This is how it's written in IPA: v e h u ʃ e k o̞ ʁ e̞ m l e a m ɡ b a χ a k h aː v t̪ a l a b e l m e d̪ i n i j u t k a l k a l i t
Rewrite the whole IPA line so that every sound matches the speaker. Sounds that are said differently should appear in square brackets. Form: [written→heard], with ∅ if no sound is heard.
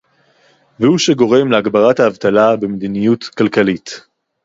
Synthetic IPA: v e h u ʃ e [k→ɡ] o̞ ʁ e̞ m l e a [m→∅] ɡ b a [χ→ʁ] a [k→t] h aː v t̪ a l a b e [l→∅] m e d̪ i n i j u t k a l k a l i t